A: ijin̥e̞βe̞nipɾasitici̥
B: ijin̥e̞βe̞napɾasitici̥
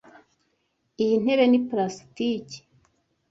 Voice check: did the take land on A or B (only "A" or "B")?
A